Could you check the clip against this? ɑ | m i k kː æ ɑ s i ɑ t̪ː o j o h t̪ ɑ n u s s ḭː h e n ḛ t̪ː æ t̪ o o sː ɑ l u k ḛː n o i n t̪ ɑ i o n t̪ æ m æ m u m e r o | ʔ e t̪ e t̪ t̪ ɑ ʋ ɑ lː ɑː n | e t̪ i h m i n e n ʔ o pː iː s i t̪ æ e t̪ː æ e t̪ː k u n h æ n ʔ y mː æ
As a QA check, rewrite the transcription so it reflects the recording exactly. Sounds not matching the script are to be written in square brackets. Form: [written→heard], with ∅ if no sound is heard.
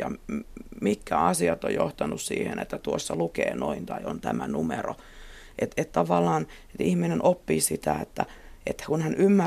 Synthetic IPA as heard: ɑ | m i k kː æ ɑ s i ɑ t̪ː o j o h t̪ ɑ n u s s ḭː h e n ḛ t̪ː æ t̪ [o→u] o sː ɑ l u k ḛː n o i n t̪ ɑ i o n t̪ æ m æ [m→n] u m e r o | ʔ e t̪ e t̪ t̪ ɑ ʋ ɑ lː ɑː n | e t̪ i h m i n e n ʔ o pː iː s i t̪ æ e t̪ː æ e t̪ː k u n h æ n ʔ y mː æ